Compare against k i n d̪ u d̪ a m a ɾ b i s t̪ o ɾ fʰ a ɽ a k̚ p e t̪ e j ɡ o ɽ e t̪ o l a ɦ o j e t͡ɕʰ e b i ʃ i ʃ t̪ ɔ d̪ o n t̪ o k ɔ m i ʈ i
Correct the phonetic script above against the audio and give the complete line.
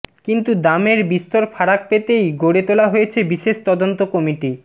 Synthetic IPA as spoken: k i n t̪ u d̪ a m e ɾ b i s t̪ o ɾ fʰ a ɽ a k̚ p e t̪ e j ɡ o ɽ e t̪ o l a ɦ o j e t͡ɕʰ e b i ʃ e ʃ t̪ ɔ d̪ o n t̪ o k ɔ m i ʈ i